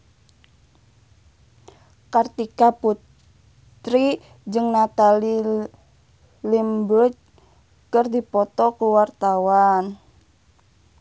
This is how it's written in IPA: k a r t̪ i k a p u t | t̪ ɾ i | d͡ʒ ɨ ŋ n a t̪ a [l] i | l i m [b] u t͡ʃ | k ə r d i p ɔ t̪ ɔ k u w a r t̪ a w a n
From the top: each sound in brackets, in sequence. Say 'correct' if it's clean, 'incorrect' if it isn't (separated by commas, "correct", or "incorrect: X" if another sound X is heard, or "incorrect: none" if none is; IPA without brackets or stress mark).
correct, correct